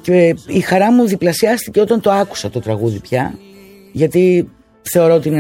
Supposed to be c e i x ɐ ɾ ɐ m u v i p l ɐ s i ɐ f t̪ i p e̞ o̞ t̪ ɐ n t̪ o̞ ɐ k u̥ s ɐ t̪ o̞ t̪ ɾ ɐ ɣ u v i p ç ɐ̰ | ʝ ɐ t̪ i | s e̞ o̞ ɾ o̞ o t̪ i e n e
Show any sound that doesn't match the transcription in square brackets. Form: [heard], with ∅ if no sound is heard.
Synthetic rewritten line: c e i x ɐ ɾ ɐ m u [ð] i p l ɐ s i ɐ [s] t̪ i [c] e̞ o̞ t̪ ɐ n t̪ o̞ ɐ k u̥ s ɐ t̪ o̞ t̪ ɾ ɐ ɣ u [ð] i p ç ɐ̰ | ʝ ɐ t̪ i | [θ] e̞ o̞ ɾ o̞ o t̪ i [i] n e